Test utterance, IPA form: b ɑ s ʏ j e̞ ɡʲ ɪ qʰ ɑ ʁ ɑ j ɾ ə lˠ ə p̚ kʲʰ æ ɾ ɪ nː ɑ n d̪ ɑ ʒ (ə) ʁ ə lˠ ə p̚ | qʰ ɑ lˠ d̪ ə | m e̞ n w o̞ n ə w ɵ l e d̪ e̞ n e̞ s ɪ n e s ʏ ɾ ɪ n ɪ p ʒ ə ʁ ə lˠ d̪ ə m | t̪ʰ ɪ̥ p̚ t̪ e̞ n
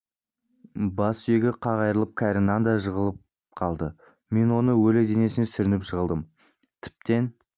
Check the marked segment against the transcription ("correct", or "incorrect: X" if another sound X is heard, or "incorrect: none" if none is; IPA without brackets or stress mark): correct